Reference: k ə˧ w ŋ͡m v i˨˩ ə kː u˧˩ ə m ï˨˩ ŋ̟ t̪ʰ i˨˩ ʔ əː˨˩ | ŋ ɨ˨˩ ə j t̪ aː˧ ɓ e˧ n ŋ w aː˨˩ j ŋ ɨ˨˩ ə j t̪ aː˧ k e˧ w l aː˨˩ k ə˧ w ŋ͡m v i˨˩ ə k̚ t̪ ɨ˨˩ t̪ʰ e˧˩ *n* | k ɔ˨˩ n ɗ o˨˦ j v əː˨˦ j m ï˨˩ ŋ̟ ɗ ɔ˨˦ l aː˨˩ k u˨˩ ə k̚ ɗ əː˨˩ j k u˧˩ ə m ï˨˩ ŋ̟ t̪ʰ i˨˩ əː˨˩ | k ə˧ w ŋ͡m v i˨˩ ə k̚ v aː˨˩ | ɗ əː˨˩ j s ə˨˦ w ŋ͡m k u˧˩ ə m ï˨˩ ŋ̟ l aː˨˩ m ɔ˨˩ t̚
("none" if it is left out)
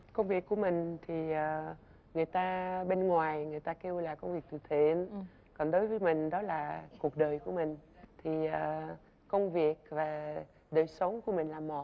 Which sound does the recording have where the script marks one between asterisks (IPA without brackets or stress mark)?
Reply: n